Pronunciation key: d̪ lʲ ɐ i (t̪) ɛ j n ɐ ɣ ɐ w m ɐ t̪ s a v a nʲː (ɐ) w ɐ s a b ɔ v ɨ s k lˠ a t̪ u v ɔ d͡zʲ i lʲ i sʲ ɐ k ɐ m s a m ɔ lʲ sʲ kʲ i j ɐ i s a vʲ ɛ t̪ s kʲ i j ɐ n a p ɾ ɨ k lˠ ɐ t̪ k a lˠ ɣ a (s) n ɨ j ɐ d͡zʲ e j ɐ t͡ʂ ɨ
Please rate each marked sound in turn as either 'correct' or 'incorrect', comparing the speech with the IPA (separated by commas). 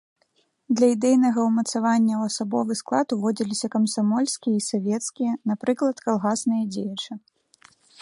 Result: incorrect, correct, correct